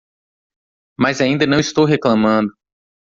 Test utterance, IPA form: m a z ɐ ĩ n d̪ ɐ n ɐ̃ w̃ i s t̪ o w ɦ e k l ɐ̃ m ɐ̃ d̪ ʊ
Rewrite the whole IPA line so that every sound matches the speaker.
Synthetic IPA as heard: m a z a ĩ n d̪ ɐ n ɐ̃ w̃ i s t̪ o w ɦ e k l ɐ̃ m ɐ̃ d̪ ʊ